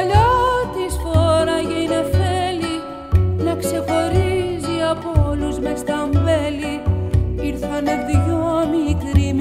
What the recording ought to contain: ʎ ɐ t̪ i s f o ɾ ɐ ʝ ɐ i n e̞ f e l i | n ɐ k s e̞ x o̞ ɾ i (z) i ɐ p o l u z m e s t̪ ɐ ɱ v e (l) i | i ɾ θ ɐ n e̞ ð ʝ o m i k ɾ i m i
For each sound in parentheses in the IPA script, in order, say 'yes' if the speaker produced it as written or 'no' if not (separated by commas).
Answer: yes, yes